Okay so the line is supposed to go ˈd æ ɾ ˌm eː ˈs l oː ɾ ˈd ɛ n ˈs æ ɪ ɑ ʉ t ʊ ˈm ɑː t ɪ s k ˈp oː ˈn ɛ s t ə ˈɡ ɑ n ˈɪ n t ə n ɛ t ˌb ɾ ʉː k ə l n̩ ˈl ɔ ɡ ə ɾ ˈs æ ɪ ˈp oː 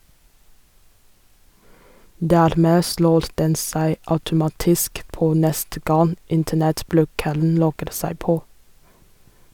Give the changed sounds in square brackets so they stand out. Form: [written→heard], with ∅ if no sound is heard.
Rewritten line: ˈd [æ→æː] ɾ ˌm eː ˈs l oː ɾ ˈd ɛ n ˈs æ ɪ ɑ ʉ t ʊ ˈm ɑː t ɪ s k ˈp oː ˈn ɛ s t ə ˈɡ ɑ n ˈɪ n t ə n ɛ t ˌb [ɾ→l] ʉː k ə l n̩ ˈl ɔ ɡ ə ɾ ˈs æ ɪ ˈp oː